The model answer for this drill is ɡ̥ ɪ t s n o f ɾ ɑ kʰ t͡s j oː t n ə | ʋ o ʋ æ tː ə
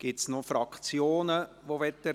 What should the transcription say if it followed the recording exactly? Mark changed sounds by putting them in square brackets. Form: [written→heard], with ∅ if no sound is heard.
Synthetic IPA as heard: ɡ̥ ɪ t s n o f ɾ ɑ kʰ t͡s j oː [t→∅] n ə | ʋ o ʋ [æ→ɛ] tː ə